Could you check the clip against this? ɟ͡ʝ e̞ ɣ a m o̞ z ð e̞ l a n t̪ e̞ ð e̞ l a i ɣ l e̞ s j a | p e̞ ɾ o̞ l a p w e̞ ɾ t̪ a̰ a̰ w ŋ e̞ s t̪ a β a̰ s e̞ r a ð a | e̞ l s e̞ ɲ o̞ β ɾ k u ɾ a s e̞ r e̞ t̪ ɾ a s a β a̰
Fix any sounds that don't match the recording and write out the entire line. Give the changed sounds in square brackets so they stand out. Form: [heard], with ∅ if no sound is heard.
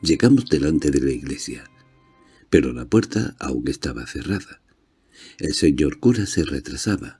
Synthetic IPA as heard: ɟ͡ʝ e̞ ɣ a m o̞ z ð e̞ l a n t̪ e̞ ð e̞ l a i ɣ l e̞ s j a | p e̞ ɾ o̞ l a p w e̞ ɾ t̪ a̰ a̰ w ŋ e̞ s t̪ a β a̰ [θ] e̞ r a ð a | e̞ l s e̞ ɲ o̞ [∅] ɾ k u ɾ a s e̞ r e̞ t̪ ɾ a s a β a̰